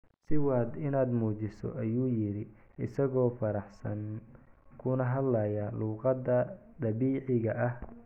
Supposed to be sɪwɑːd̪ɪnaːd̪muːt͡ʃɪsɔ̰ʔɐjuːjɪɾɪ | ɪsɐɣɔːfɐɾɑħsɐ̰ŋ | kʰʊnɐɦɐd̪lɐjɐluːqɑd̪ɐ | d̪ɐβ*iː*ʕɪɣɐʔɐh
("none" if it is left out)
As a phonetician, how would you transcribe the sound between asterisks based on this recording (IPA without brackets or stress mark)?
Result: iː